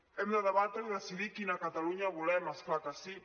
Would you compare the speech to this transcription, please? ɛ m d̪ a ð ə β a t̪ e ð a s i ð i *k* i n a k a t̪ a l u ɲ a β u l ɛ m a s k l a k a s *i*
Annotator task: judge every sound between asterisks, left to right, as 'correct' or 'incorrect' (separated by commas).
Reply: correct, correct